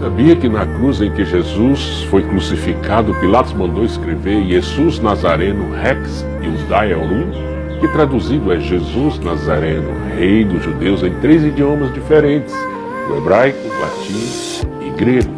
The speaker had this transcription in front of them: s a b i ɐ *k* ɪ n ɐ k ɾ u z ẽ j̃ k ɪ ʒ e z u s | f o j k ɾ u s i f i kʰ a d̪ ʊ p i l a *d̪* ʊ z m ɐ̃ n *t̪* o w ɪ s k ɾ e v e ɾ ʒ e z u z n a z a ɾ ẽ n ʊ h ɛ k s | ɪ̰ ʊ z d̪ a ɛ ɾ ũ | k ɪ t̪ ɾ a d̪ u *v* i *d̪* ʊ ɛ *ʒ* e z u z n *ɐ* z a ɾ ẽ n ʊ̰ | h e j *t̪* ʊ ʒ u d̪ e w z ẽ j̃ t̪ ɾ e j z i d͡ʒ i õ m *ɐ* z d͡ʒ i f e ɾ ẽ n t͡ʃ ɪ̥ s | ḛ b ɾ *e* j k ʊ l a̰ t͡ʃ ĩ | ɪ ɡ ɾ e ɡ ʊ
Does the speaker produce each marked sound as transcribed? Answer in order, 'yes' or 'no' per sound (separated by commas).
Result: yes, no, no, no, yes, yes, no, no, yes, no